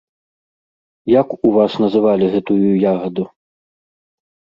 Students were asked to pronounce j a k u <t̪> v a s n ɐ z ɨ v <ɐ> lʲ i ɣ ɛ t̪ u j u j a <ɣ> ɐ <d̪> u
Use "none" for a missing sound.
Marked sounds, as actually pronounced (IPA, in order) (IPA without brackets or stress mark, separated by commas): none, a, ɣ, d̪